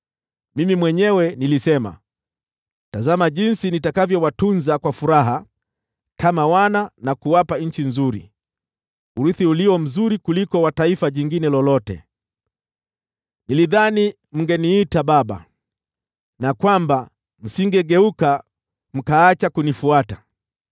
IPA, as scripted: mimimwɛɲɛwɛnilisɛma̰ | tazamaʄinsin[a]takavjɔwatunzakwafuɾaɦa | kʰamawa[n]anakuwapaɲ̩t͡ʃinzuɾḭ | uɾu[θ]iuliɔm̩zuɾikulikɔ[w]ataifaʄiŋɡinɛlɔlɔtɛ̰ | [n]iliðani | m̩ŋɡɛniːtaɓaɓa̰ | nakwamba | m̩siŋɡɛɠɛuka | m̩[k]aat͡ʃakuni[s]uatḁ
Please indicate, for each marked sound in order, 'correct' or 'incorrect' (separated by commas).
incorrect, correct, correct, correct, correct, correct, incorrect